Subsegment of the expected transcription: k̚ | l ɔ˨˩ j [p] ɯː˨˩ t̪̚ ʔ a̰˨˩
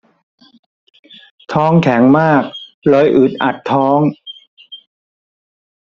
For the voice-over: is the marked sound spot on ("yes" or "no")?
no